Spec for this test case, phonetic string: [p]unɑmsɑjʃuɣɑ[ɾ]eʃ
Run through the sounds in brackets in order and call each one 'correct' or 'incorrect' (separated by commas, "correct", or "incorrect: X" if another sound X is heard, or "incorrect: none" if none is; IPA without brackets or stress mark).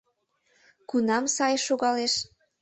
incorrect: k, incorrect: l